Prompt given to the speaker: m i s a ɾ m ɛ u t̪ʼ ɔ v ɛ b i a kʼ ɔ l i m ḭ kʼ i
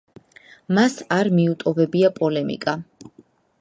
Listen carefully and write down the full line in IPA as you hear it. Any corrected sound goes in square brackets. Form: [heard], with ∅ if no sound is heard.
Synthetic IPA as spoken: m [a] s a ɾ m [i] u t̪ʼ ɔ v ɛ b i a [pʼ] ɔ l [ɛ] m ḭ kʼ [a]